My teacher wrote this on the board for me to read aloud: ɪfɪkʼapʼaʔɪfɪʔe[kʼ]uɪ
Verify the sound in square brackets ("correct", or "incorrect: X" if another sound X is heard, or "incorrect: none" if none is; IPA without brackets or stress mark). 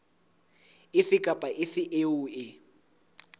incorrect: none